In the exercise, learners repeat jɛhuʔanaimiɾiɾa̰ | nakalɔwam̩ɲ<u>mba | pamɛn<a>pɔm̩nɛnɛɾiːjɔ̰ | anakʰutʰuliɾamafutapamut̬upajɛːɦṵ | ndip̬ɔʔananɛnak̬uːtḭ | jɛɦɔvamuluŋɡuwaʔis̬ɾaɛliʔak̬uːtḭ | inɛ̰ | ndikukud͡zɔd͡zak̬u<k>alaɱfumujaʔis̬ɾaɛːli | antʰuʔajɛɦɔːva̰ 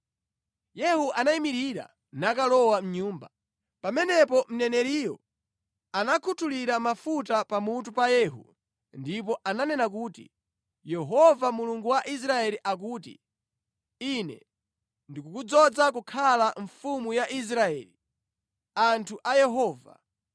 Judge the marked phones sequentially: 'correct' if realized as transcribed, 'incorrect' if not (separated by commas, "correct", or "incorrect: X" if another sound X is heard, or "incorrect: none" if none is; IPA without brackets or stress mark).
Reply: incorrect: uː, incorrect: ɛ, incorrect: kʰ